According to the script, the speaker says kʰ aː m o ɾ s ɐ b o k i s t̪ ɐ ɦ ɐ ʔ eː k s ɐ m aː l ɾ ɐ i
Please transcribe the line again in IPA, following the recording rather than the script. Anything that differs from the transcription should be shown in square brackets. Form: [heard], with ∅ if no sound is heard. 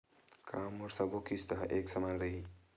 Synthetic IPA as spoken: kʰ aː m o ɾ s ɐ b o k i s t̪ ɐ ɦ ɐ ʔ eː k s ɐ m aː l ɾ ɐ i